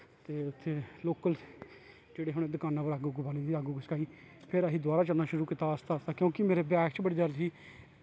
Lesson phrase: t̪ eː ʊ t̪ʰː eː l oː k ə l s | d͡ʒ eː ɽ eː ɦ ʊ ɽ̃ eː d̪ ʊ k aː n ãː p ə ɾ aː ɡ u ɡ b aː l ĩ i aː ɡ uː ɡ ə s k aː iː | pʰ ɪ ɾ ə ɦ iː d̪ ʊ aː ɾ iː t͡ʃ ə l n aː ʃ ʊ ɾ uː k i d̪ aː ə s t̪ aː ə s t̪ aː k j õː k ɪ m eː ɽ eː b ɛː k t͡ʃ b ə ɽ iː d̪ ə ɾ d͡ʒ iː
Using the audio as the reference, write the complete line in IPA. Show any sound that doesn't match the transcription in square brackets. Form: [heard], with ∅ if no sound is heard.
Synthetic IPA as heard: t̪ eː ʊ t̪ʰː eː l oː k ə l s | d͡ʒ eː ɽ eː ɦ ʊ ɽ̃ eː d̪ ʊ k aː n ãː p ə ɾ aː ɡ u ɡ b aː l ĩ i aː ɡ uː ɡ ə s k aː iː | pʰ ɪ ɾ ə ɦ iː d̪ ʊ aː ɾ [aː] t͡ʃ ə l n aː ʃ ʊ ɾ uː k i [t̪] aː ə s t̪ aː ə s t̪ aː k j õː k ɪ m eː [ɾ] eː b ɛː k t͡ʃ b ə ɽ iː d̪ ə ɾ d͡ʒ iː

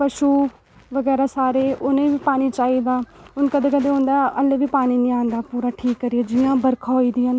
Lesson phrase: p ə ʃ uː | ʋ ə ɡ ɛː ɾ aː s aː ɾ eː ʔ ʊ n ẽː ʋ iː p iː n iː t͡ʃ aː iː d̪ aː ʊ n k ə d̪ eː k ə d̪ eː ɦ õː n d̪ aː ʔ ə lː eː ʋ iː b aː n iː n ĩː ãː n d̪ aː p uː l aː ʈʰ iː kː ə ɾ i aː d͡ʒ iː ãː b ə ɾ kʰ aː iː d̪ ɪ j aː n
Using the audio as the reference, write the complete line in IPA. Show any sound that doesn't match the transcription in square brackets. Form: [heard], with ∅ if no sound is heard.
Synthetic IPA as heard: p ə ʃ uː | ʋ ə ɡ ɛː ɾ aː s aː ɾ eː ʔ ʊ n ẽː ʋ iː p [aː] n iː t͡ʃ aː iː d̪ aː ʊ n k ə d̪ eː k ə d̪ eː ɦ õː n d̪ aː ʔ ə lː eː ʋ iː [p] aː n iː n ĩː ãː n d̪ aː p uː [ɾ] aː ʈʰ iː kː ə ɾ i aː d͡ʒ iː ãː b ə ɾ kʰ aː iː d̪ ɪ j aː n

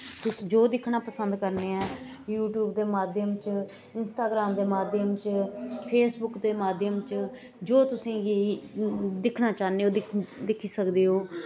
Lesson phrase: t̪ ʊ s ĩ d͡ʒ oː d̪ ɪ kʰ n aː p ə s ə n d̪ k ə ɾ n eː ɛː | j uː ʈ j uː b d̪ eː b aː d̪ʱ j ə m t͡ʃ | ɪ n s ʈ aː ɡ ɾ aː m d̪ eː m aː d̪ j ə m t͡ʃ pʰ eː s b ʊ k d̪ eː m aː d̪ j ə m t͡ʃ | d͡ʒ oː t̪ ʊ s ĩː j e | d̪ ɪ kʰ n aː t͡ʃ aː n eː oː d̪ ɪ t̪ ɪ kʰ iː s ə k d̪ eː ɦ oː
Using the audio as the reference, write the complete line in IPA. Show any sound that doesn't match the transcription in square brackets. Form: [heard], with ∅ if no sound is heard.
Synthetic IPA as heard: t̪ ʊ s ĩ d͡ʒ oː d̪ ɪ kʰ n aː p ə s ə n d̪ k ə ɾ n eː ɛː | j uː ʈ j uː b d̪ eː [m] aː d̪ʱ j ə m t͡ʃ | ɪ n s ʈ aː ɡ ɾ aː m d̪ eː m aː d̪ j ə m t͡ʃ pʰ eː s b ʊ k d̪ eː m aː d̪ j ə m t͡ʃ | d͡ʒ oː t̪ ʊ s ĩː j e | d̪ ɪ kʰ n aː t͡ʃ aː n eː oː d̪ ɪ [d̪] ɪ kʰ iː s ə k d̪ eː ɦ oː

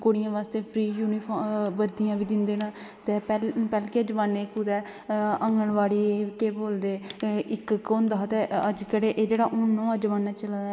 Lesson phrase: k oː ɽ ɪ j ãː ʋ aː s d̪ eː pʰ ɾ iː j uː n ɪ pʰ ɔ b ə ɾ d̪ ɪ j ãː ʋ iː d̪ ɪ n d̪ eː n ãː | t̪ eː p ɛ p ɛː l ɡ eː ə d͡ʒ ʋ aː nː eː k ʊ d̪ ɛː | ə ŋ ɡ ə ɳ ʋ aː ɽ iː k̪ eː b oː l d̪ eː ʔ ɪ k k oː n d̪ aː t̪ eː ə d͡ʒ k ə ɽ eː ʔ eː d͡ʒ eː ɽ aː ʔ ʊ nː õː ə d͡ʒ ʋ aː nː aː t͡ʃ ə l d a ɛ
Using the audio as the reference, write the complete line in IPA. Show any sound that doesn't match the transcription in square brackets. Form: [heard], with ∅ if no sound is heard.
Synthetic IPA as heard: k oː ɽ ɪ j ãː ʋ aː s [t̪] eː pʰ ɾ iː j uː n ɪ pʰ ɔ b ə ɾ d̪ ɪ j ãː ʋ iː d̪ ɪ n d̪ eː n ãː | t̪ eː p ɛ p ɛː l [k] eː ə d͡ʒ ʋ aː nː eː k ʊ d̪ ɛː | ə ŋ ɡ ə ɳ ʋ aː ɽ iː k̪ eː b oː l d̪ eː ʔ ɪ k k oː n d̪ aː t̪ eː ə d͡ʒ k ə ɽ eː ʔ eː d͡ʒ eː ɽ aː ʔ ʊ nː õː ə d͡ʒ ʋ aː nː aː t͡ʃ ə l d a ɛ

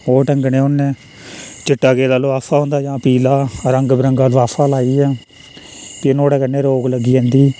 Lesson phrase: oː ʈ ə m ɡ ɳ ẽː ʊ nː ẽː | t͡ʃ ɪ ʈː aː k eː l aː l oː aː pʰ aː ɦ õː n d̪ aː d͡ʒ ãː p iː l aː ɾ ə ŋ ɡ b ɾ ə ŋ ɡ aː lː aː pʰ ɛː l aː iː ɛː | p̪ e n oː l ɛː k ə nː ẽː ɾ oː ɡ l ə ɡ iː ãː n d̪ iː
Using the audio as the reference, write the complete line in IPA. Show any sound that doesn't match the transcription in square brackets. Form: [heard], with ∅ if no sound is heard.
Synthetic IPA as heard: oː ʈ ə [ŋ] ɡ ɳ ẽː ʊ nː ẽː | t͡ʃ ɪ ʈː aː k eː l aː l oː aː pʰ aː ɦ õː n d̪ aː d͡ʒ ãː p iː l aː ɾ ə ŋ ɡ b ɾ ə ŋ ɡ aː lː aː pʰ [aː] l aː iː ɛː | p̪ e n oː [ɽ] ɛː k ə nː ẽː ɾ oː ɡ l ə ɡ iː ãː n d̪ iː

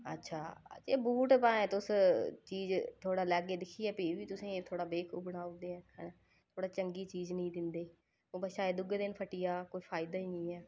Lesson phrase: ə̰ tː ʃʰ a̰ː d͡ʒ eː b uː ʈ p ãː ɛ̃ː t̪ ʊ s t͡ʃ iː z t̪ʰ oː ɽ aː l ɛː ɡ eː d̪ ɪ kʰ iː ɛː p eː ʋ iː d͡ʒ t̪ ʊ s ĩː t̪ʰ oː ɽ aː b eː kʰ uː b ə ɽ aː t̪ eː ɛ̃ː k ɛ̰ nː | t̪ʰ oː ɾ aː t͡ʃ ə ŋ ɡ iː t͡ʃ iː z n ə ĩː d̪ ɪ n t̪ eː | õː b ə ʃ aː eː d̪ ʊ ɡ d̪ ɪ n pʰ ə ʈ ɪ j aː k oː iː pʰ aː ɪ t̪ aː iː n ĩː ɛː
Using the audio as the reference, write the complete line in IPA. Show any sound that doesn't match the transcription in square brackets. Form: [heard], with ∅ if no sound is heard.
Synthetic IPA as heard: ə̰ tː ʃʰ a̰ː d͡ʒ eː b uː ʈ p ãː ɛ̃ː t̪ ʊ s t͡ʃ iː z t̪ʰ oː ɽ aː l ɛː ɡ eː d̪ ɪ kʰ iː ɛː p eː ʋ iː [∅] t̪ ʊ s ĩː t̪ʰ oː ɽ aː b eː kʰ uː b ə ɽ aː [d̪] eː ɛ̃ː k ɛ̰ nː | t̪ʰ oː [ɽ] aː t͡ʃ ə ŋ ɡ iː t͡ʃ iː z n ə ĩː d̪ ɪ n [d̪] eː | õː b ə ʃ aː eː d̪ ʊ ɡ d̪ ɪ n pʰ ə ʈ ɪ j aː k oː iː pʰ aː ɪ [d̪] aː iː n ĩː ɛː

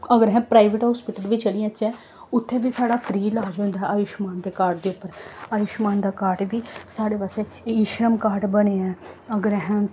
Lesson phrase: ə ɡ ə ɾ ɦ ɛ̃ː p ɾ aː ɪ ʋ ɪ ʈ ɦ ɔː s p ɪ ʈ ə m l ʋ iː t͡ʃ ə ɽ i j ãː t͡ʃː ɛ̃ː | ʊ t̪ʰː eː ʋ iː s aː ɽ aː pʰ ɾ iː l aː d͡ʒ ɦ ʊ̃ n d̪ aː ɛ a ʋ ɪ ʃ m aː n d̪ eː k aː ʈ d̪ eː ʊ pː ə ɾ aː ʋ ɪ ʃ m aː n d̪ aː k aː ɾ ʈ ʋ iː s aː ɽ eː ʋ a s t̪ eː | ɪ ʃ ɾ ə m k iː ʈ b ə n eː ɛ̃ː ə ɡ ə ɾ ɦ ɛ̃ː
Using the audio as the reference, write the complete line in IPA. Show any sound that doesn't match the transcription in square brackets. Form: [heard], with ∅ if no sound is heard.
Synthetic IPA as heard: ə ɡ ə ɾ ɦ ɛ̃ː p ɾ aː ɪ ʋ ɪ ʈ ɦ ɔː s p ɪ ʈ ə [∅] l ʋ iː t͡ʃ ə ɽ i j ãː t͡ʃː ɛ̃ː | ʊ t̪ʰː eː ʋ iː s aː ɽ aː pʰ ɾ iː l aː d͡ʒ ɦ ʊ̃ n d̪ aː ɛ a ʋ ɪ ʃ m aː n d̪ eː k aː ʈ d̪ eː ʊ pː ə ɾ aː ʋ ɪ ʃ m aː n d̪ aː k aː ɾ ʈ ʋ iː s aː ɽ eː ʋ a s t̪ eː | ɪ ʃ ɾ ə m k [aː] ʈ b ə n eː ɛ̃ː ə ɡ ə ɾ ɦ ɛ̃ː

